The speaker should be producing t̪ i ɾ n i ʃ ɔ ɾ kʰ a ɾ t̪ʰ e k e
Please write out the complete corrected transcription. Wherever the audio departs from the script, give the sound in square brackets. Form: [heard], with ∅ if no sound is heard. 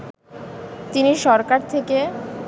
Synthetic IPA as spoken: t̪ i [∅] n i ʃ ɔ ɾ [k] a ɾ t̪ʰ e k e